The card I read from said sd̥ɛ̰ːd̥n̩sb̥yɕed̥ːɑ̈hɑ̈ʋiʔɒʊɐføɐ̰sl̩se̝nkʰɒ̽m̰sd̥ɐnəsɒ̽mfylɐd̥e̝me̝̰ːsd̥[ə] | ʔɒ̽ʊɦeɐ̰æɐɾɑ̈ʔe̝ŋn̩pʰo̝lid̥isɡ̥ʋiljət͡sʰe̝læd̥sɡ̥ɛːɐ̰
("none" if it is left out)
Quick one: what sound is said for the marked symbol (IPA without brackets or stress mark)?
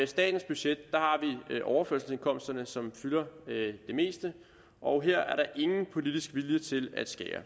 ə